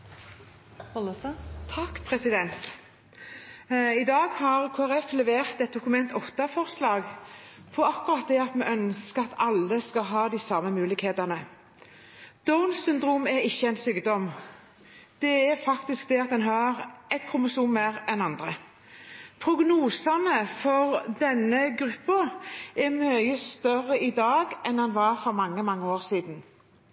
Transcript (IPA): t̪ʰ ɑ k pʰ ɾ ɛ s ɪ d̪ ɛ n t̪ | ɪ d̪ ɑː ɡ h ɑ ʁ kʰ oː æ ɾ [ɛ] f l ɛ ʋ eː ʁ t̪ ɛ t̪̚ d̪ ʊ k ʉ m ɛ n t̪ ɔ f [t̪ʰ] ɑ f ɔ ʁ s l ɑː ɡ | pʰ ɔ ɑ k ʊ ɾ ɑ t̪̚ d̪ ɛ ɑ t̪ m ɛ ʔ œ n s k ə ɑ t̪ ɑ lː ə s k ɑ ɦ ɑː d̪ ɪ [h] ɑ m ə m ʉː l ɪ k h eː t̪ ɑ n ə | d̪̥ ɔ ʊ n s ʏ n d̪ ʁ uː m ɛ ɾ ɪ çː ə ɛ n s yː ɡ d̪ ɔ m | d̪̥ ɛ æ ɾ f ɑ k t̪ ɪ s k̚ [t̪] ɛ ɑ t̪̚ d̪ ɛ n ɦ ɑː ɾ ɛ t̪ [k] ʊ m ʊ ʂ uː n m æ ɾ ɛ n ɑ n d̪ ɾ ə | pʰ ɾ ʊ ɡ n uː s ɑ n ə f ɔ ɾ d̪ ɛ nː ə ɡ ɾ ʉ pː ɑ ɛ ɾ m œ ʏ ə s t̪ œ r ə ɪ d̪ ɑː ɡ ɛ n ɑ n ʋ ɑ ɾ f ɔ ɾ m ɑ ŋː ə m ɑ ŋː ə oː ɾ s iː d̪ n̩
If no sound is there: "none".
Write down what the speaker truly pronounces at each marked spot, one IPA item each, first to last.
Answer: ɛ, t̪, s, d̪, kʰ

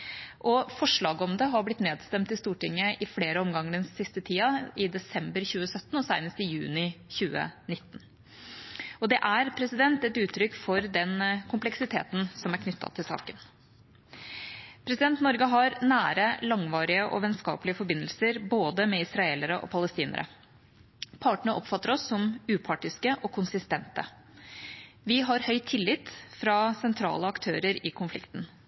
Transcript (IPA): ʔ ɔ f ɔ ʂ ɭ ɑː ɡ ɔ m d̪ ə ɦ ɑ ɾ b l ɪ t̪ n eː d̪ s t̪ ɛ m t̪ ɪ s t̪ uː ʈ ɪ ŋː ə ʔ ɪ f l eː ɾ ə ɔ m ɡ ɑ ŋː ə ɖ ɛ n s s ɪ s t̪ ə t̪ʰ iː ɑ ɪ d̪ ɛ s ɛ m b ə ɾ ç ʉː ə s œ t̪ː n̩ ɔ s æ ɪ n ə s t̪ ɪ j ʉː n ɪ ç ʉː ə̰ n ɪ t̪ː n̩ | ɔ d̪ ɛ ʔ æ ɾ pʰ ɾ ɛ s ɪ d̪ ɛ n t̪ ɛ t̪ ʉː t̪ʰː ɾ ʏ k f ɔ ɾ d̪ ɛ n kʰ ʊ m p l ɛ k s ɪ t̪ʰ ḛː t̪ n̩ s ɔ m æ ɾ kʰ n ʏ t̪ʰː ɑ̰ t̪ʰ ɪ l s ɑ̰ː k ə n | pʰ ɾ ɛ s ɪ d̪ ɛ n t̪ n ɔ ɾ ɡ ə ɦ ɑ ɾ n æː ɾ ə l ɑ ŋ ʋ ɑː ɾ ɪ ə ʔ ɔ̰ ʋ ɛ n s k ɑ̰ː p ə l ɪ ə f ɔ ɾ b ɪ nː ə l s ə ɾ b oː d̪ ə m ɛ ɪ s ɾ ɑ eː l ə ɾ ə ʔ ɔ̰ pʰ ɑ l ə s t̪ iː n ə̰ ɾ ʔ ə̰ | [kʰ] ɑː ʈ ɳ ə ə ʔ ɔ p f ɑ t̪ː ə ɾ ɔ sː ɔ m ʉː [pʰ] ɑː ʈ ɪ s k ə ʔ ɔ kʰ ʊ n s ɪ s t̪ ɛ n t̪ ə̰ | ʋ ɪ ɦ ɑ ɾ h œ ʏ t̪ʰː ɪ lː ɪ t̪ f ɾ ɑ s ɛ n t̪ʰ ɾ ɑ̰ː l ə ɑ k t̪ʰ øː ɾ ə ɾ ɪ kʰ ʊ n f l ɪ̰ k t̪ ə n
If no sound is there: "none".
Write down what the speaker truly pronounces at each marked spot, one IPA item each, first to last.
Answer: pʰ, pʰ

